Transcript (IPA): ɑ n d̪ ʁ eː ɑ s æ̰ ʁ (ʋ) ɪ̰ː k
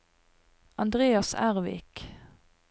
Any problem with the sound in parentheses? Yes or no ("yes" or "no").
no